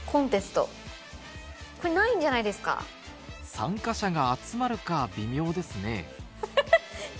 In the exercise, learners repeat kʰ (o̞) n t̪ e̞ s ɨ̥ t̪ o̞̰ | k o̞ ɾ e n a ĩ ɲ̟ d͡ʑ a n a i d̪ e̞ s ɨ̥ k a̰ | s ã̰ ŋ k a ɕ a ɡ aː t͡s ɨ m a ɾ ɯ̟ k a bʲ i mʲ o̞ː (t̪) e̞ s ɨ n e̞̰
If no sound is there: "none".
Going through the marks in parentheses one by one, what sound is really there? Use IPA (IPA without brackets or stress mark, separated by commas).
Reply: õ̞, d̪